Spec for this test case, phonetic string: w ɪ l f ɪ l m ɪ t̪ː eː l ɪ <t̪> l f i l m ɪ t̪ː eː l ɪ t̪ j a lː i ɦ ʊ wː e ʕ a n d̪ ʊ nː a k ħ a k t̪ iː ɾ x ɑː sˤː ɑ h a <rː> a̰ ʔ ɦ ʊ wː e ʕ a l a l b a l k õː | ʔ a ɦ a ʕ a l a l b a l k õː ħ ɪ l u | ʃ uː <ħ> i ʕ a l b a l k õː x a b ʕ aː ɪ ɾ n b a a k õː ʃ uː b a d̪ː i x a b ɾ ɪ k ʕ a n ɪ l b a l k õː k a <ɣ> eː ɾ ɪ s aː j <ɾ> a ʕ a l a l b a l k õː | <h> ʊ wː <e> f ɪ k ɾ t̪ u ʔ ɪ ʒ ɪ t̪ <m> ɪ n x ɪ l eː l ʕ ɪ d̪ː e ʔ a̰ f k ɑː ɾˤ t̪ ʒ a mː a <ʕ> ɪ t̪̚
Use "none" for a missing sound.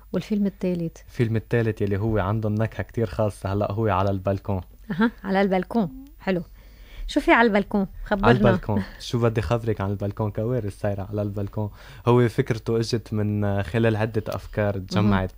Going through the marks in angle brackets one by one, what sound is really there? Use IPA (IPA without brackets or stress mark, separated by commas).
t̪, lː, f, w, ɾ, h, e, m, ʕ